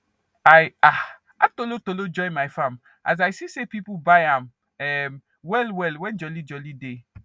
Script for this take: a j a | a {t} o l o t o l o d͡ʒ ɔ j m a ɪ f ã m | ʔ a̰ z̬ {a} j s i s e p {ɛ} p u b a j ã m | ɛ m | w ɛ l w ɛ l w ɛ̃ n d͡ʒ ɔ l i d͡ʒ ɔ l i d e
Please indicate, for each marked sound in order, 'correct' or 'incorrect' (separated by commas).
correct, correct, incorrect